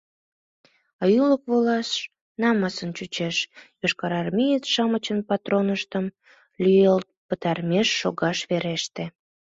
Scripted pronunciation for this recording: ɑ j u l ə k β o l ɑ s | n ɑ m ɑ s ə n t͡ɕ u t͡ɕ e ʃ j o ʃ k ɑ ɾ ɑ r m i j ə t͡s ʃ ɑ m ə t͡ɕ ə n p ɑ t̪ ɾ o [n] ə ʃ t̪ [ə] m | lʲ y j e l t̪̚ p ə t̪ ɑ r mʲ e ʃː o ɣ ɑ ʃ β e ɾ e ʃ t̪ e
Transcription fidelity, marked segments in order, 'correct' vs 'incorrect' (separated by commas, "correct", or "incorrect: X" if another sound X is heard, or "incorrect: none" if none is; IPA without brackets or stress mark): correct, correct